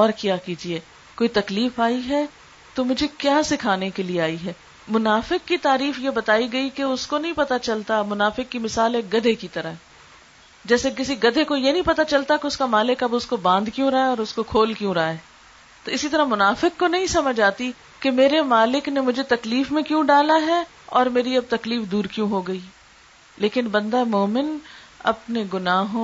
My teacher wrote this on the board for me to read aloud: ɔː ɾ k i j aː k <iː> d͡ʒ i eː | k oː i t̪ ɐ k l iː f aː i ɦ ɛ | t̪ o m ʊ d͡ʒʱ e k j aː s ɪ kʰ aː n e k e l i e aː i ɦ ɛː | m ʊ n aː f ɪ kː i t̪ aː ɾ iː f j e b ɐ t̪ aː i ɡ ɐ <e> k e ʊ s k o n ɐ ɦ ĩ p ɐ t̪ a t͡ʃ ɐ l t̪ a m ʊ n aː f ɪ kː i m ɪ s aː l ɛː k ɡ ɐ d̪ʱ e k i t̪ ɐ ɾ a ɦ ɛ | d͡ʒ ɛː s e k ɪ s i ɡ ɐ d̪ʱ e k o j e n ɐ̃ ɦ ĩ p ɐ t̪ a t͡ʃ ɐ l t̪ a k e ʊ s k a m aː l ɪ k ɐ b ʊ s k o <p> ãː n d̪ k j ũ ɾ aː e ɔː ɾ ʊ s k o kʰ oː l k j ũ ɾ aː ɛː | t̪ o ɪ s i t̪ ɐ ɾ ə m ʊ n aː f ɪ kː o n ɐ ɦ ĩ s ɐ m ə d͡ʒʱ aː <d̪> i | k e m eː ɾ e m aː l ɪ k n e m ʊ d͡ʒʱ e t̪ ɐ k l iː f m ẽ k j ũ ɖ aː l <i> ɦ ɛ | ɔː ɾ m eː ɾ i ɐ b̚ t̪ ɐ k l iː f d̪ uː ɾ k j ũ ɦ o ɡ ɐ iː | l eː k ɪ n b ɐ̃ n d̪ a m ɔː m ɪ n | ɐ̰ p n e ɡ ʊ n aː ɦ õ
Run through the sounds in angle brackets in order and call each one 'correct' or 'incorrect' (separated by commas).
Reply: correct, incorrect, incorrect, incorrect, incorrect